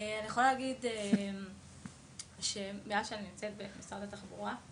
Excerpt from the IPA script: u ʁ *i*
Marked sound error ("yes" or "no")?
yes